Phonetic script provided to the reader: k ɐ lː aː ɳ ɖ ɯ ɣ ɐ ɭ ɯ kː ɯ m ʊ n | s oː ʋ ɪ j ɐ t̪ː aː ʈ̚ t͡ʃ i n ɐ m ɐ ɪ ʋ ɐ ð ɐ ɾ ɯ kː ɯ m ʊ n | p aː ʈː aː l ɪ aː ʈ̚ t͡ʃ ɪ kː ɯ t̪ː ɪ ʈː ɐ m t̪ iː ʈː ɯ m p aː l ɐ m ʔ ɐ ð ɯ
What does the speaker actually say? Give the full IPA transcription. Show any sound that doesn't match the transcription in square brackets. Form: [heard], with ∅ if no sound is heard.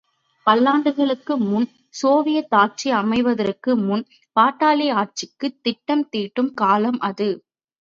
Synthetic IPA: [p] ɐ lː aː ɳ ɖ ɯ ɣ ɐ ɭ ɯ kː ɯ m ʊ n | s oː ʋ ɪ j ɐ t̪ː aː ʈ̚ t͡ʃ i [∅] ɐ m ɐ ɪ ʋ ɐ ð ɐ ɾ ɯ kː ɯ m ʊ n | p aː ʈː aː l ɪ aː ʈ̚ t͡ʃ ɪ kː ɯ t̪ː ɪ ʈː ɐ m t̪ iː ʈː ɯ m [k] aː l ɐ m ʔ ɐ ð ɯ